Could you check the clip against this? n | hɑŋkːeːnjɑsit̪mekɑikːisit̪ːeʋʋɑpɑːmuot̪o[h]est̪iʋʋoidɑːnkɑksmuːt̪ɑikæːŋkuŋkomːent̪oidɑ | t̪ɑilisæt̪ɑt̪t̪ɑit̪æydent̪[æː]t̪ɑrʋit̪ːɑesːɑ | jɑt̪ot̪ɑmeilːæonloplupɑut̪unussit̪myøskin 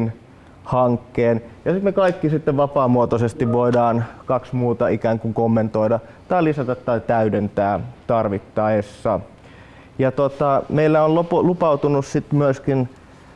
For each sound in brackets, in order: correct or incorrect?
incorrect: s, correct

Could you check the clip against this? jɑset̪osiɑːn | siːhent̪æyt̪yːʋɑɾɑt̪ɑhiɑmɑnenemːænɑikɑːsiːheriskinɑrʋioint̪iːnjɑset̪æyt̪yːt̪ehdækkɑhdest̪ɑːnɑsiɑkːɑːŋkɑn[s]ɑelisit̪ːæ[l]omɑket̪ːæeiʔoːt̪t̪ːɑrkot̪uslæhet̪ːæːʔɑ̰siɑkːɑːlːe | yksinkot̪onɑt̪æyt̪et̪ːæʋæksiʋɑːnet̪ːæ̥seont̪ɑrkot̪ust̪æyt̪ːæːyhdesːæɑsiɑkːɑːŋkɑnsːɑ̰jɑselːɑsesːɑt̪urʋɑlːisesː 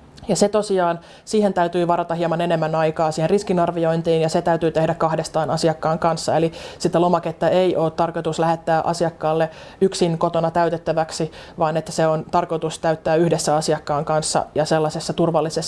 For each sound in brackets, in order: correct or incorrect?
incorrect: sː, correct

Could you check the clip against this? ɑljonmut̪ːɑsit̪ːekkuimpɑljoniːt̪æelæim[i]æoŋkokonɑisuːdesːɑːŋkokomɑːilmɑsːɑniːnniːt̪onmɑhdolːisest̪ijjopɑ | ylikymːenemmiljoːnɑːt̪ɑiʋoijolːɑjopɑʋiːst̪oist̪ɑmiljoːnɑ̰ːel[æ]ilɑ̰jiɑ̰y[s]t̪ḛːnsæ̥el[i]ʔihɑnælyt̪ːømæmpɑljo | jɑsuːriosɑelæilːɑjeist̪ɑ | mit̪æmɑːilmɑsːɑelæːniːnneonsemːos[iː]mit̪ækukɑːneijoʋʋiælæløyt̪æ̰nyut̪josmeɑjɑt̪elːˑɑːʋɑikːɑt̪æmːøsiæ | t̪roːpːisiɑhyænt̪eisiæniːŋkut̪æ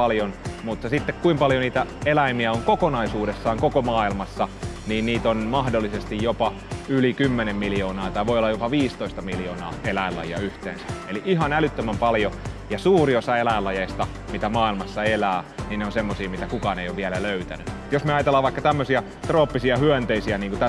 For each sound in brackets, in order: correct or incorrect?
correct, correct, incorrect: h, correct, correct

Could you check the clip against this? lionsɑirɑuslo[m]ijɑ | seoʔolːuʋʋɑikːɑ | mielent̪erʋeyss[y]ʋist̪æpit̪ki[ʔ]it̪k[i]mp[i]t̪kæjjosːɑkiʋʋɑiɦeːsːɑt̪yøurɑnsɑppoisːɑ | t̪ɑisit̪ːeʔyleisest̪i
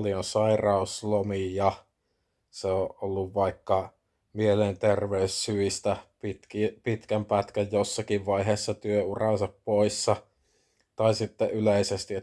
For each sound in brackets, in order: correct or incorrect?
correct, correct, incorrect: p, incorrect: æ, incorrect: æ

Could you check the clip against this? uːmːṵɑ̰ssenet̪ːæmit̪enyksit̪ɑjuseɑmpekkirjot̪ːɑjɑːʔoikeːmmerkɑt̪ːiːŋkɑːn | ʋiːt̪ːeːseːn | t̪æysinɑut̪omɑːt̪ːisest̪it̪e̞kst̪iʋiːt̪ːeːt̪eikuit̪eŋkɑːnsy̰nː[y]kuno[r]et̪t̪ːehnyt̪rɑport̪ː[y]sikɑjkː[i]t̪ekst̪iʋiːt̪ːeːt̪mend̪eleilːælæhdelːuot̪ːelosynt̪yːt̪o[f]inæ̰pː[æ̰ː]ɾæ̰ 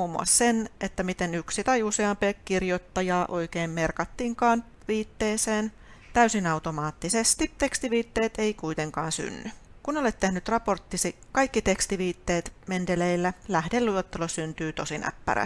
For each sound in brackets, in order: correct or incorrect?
correct, incorrect: l, incorrect: i, correct, incorrect: s, incorrect: æ̰

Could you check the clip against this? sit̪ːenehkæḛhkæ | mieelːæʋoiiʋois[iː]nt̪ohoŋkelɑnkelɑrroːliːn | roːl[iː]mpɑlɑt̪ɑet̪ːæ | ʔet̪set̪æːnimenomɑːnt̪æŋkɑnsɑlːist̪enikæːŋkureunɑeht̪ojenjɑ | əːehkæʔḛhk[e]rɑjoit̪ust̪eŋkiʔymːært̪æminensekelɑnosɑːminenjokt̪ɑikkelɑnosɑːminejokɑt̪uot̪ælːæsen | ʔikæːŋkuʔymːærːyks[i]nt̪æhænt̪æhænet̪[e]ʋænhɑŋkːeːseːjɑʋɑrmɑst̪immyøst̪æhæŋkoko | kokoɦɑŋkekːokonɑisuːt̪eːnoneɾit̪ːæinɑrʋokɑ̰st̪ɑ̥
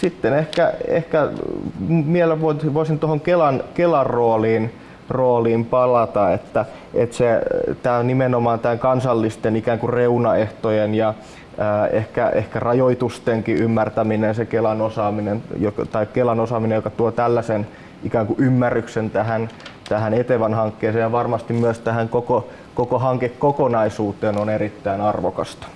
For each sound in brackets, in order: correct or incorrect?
incorrect: i, correct, incorrect: æ, incorrect: e, correct

